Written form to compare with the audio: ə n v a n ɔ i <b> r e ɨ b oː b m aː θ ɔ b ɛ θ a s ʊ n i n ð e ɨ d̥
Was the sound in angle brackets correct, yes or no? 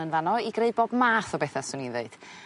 no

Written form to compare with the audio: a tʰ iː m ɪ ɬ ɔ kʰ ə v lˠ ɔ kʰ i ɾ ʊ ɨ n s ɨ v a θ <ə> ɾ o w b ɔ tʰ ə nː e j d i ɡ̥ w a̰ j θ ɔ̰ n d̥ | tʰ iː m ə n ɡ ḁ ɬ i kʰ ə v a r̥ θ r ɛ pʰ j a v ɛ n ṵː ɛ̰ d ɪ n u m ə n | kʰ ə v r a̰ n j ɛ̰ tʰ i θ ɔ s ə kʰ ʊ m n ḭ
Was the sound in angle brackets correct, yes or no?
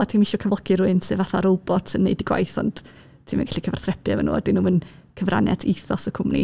no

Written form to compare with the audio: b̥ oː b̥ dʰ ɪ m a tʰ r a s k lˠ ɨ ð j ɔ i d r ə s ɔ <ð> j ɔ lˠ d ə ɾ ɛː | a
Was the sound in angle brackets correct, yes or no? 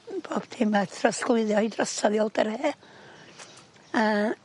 yes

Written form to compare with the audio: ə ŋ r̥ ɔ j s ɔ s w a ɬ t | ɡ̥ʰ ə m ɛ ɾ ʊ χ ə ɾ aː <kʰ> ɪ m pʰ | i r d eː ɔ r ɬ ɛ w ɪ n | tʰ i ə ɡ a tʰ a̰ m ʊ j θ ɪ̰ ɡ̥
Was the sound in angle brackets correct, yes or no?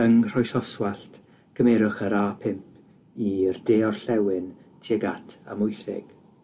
no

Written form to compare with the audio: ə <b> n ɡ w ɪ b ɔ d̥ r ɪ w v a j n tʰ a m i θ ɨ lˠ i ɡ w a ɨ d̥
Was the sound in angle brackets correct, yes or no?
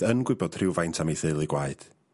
no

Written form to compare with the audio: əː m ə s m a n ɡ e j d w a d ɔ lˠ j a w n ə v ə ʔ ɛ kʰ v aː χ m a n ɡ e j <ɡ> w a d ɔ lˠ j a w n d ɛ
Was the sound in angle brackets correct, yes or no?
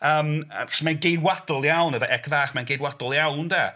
no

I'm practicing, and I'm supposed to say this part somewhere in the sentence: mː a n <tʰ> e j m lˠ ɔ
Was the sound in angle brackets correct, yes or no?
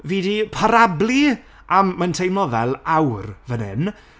yes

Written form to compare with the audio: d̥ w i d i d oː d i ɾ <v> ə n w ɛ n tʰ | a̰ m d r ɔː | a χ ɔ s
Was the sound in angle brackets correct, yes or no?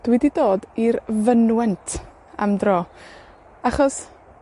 yes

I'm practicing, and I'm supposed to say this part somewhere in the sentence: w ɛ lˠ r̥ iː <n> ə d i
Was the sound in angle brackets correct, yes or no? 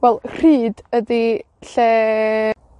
no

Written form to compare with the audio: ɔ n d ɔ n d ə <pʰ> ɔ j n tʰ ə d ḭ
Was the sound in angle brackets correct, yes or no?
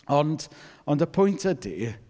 yes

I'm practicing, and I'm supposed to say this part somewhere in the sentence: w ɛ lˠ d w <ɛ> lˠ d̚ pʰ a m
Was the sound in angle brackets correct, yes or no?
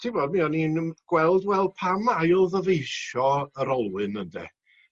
yes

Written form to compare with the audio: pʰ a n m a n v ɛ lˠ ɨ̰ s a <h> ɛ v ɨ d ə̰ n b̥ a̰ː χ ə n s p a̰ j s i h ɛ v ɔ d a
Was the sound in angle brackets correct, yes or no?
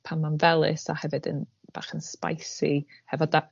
yes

